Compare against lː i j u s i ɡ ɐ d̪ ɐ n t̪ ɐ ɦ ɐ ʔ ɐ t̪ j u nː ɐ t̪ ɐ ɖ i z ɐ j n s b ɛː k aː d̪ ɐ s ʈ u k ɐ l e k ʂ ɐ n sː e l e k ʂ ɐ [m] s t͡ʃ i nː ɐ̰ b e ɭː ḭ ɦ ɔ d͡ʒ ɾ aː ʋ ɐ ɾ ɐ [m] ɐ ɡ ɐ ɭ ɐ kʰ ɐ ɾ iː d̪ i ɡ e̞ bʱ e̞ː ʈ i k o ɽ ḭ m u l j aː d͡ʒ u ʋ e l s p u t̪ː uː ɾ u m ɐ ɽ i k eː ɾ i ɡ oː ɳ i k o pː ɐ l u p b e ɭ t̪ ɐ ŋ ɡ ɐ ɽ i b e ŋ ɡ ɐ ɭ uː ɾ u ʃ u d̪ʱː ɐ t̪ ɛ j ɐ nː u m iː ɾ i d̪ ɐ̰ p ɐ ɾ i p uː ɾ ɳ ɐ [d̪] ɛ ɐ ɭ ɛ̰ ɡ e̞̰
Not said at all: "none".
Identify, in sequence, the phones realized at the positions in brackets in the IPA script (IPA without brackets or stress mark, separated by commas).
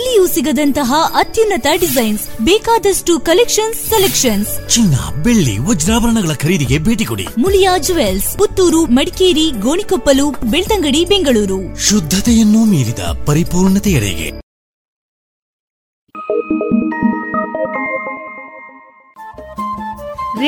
n, ɳ, t̪